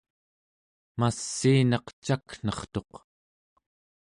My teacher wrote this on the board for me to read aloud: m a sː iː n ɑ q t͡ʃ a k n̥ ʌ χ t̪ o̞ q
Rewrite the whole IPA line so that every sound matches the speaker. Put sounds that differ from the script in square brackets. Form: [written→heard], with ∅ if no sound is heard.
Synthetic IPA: m a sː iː n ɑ q t͡ʃ a k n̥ ʌ χ t̪ o̞ q